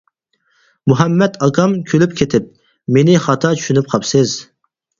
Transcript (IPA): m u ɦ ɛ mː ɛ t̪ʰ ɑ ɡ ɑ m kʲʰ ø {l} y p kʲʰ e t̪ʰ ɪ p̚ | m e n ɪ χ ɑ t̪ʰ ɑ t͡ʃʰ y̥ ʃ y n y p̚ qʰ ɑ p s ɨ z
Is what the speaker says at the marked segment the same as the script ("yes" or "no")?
yes